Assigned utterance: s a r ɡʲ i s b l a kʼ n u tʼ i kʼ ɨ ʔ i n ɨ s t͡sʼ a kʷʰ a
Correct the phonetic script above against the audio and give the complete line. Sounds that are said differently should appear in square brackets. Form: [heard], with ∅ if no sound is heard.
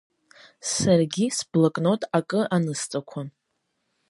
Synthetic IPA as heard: s a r ɡʲ i s b l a kʼ n [o] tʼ [a] kʼ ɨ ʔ [a] n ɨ s t͡sʼ a kʷʰ a